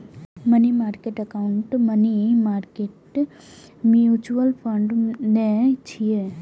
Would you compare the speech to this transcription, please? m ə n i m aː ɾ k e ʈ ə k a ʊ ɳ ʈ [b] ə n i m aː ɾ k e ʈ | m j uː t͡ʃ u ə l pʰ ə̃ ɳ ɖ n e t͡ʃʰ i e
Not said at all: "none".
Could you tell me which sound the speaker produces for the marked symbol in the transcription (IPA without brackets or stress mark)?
m